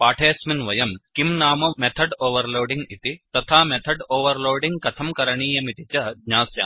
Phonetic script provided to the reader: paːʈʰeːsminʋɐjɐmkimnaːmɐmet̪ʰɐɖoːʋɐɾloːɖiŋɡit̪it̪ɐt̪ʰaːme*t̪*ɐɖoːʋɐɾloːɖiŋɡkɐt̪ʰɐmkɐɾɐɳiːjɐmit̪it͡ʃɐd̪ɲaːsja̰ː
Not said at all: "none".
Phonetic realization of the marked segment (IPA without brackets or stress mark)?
t̪ʰ